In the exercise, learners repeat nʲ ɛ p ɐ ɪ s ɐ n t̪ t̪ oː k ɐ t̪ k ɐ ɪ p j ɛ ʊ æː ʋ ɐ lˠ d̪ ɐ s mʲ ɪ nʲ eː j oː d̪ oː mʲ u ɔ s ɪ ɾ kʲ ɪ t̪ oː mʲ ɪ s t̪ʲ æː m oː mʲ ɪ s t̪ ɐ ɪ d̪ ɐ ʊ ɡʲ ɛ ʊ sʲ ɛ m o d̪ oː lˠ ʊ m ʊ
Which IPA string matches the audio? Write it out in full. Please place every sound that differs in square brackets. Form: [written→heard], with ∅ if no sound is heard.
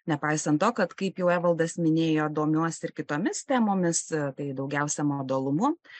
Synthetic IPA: nʲ ɛ p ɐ ɪ s ɐ n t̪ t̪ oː k ɐ t̪ k ɐ ɪ p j ɛ ʊ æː ʋ ɐ lˠ d̪ ɐ s mʲ ɪ nʲ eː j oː d̪ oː mʲ u ɔ s ɪ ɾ kʲ ɪ t̪ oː mʲ ɪ s t̪ʲ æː m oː mʲ ɪ s t̪ ɐ ɪ d̪ ɐ ʊ ɡʲ ɛ ʊ sʲ ɛ m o d̪ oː lˠ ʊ m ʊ